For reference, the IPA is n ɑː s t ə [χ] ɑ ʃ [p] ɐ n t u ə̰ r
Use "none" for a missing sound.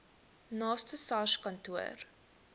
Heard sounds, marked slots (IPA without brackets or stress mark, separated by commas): s, k